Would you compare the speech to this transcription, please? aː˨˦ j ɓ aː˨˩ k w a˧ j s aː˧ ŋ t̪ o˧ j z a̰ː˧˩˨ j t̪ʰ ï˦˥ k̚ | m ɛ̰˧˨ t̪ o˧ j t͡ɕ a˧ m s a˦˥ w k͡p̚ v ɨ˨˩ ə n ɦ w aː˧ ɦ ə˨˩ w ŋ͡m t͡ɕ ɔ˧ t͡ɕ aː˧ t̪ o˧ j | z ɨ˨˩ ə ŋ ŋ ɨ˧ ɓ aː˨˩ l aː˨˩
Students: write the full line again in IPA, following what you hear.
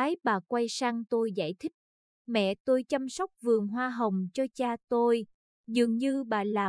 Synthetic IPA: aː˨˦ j ɓ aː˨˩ k w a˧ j s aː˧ ŋ t̪ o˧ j z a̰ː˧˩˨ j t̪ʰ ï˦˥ k̚ | m ɛ̰˧˨ t̪ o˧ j t͡ɕ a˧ m s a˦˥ w k͡p̚ v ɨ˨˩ ə ŋ ɦ w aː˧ ɦ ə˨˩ w ŋ͡m t͡ɕ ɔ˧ t͡ɕ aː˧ t̪ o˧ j | z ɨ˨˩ ə ŋ ɲ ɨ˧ ɓ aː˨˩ l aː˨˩